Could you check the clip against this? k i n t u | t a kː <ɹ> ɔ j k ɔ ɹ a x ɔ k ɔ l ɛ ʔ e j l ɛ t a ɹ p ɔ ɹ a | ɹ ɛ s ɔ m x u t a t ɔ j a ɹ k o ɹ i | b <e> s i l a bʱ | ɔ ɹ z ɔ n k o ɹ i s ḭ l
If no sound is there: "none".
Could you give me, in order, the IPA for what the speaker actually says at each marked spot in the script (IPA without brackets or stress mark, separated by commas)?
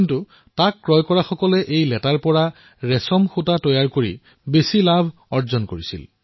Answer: ɹ, e